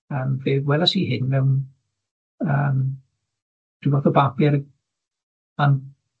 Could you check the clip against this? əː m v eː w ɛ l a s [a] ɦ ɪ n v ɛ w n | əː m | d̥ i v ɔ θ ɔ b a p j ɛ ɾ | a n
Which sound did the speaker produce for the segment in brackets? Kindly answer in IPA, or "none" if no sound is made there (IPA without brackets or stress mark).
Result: i